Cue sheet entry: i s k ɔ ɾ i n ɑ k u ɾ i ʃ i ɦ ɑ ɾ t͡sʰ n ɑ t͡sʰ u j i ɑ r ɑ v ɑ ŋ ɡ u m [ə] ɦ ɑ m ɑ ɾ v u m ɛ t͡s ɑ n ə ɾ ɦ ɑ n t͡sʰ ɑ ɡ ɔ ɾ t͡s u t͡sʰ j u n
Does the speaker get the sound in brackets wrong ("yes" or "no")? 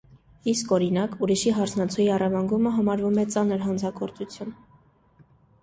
no